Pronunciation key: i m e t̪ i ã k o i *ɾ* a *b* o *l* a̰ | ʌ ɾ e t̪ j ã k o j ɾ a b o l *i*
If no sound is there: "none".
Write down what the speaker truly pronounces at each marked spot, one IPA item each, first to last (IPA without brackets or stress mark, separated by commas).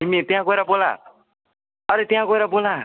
ɾ, b, l, a